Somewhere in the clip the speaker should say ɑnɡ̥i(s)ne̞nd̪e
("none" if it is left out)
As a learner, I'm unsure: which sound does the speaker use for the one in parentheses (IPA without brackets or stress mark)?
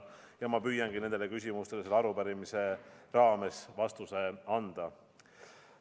none